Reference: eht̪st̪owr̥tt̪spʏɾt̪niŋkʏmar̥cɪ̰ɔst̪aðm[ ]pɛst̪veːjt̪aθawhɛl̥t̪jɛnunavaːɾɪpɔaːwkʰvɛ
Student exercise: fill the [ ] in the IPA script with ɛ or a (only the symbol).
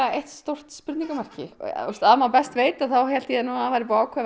a